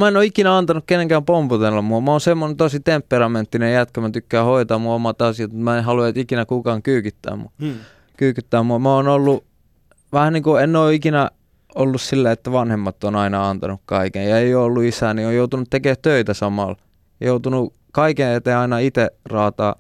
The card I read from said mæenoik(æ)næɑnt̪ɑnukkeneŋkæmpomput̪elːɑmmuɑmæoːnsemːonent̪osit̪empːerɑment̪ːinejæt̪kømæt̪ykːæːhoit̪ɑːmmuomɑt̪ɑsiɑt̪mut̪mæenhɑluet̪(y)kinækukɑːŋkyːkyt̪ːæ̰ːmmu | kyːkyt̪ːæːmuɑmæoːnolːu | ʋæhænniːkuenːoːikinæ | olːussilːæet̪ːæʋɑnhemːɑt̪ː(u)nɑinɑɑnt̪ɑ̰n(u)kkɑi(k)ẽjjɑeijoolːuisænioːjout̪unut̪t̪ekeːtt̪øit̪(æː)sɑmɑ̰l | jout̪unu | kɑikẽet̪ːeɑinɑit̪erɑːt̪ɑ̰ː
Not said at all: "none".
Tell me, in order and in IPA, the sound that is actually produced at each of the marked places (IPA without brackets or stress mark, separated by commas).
i, i, o, u, k, æ